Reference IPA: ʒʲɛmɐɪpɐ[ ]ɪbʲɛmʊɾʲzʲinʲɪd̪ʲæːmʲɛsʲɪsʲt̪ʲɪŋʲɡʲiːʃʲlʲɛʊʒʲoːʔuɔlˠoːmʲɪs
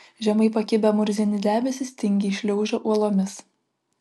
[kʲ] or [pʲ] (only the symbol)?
kʲ